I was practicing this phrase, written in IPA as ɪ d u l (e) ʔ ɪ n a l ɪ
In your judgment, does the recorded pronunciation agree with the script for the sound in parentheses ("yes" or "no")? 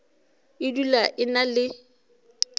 no